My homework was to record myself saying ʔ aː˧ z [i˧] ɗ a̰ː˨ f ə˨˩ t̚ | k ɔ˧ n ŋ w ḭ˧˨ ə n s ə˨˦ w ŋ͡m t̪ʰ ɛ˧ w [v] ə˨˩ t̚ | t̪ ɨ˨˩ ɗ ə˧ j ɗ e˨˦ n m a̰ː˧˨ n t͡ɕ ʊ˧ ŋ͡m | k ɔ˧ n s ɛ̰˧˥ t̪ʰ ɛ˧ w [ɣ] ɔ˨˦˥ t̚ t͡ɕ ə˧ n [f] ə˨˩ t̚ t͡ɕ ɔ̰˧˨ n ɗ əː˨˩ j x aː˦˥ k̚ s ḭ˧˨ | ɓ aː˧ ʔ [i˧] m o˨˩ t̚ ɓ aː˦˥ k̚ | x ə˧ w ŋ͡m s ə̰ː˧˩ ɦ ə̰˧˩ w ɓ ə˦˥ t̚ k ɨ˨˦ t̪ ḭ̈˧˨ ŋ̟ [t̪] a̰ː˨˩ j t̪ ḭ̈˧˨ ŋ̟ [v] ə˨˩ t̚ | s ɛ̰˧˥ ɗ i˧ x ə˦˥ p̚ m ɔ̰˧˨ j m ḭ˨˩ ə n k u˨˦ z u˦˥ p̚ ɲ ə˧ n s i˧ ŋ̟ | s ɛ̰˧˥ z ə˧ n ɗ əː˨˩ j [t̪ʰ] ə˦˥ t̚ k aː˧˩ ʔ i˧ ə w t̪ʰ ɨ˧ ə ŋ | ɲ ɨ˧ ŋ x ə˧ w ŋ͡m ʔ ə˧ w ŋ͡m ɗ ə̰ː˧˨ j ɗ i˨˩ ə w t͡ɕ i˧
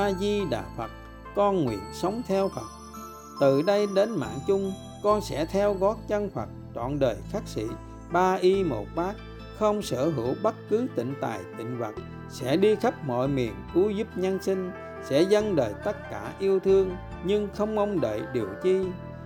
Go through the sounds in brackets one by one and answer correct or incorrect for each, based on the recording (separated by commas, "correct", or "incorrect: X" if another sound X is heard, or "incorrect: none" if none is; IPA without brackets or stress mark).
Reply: correct, incorrect: f, correct, correct, correct, correct, correct, incorrect: t̪